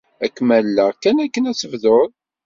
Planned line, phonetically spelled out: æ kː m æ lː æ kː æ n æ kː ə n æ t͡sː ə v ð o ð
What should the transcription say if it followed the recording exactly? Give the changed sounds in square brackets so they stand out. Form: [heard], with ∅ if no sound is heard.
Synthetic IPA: æ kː m æ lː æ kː æ n æ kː ə n æ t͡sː ə v ð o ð